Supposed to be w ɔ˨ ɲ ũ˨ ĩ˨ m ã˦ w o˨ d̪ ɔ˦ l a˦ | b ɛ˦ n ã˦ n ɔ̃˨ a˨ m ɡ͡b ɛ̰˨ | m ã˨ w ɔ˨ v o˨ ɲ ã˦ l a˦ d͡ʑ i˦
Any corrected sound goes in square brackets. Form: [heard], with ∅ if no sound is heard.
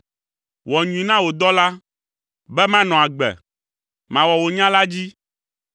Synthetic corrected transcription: w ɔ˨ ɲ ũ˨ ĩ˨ [n] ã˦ w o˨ d̪ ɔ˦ l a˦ | b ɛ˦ [m] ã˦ n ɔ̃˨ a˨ [∅] ɡ͡b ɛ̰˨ | m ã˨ w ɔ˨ [w] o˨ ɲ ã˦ l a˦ d͡ʑ i˦